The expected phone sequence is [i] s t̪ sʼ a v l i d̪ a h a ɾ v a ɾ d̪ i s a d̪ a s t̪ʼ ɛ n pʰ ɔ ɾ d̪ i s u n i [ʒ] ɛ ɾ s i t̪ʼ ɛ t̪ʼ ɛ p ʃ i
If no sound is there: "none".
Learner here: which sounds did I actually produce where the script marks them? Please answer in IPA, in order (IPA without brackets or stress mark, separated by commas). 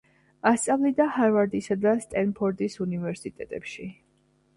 a, v